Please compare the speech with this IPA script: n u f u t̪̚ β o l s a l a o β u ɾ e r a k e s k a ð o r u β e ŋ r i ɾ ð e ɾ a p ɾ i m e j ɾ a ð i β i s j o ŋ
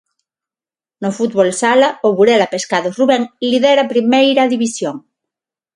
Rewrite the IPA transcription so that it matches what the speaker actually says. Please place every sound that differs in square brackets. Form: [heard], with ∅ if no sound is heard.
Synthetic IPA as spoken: n [o] f u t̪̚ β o l s a l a o β u ɾ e [l] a [p] e s k a ð o r u β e ŋ [l] i [∅] ð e ɾ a p ɾ i m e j ɾ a ð i β i s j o ŋ